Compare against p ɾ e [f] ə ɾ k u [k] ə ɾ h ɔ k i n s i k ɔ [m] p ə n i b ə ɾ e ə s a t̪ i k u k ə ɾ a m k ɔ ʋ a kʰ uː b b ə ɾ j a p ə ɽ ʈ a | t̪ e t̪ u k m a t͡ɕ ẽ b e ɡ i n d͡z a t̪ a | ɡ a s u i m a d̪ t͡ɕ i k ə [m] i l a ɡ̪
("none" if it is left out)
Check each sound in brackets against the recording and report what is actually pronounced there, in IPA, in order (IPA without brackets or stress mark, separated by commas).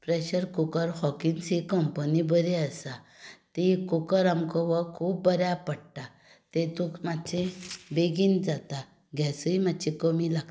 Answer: ɕ, k, m, m